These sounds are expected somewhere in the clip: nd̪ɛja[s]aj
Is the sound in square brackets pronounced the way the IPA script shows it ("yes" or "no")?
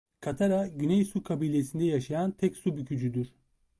no